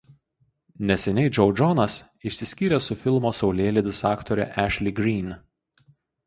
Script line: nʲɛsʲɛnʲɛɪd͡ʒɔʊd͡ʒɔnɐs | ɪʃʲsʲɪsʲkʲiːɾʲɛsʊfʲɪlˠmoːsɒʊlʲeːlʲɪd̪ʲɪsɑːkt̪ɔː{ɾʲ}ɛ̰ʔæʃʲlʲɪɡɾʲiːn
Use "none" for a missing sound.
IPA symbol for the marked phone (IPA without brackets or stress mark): ɾʲ